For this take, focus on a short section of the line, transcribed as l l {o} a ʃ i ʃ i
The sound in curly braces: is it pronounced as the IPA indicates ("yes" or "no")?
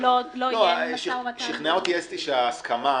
yes